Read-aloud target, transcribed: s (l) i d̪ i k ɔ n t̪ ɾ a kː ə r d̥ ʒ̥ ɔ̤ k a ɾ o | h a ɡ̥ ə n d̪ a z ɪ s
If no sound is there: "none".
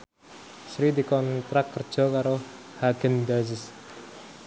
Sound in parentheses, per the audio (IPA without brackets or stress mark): ɾ